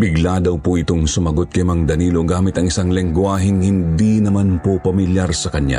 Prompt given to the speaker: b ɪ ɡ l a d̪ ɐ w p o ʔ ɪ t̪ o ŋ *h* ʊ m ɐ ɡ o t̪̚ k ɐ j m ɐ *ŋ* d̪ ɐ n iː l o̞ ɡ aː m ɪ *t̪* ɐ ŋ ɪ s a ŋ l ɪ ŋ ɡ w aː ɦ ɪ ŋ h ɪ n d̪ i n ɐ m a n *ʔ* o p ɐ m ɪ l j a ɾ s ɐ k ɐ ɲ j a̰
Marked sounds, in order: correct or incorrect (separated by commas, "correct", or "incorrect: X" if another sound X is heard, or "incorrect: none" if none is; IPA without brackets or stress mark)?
incorrect: s, correct, correct, incorrect: p